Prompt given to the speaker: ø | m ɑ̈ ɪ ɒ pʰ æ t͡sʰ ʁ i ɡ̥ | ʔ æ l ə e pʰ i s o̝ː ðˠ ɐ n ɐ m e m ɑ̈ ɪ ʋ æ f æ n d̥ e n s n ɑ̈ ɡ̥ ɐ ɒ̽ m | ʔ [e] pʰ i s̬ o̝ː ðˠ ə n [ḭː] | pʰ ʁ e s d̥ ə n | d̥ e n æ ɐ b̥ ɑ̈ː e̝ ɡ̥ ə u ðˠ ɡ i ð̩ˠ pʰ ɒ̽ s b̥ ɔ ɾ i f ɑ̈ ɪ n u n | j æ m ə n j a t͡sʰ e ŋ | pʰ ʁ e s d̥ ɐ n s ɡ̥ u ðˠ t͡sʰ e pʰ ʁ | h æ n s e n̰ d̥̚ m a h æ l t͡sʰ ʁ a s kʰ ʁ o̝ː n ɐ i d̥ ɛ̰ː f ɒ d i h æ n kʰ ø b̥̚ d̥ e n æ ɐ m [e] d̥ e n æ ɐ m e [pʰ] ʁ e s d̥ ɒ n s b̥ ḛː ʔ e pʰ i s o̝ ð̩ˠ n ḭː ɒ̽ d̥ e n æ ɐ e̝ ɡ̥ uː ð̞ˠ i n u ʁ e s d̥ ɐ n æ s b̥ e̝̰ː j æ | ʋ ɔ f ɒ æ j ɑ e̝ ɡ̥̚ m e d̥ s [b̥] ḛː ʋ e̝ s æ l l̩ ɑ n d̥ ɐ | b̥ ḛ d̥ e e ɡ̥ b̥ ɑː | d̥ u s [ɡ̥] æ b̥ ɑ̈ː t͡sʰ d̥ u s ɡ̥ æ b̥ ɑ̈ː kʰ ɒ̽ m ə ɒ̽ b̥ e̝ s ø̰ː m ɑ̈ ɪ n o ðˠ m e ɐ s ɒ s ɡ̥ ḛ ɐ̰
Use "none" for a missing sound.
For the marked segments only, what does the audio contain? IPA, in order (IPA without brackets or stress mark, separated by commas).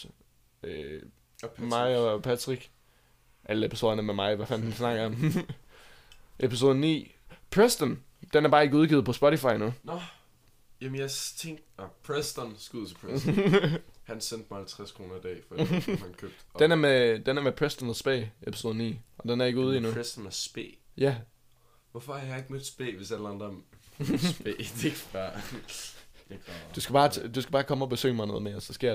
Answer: e, ḭː, e, pʰ, b̥, ɡ̥